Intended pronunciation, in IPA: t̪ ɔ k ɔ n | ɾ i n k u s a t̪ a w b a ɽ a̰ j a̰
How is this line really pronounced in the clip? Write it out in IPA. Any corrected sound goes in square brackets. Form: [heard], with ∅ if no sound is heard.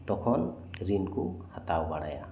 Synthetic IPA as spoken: t̪ ɔ [kʰ] ɔ n | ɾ i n k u [h] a t̪ a w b a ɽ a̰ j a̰